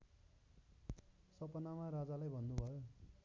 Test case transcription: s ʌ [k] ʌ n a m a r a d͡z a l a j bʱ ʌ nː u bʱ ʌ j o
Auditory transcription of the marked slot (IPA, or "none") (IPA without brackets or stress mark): p